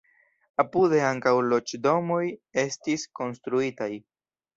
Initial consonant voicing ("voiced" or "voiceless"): voiceless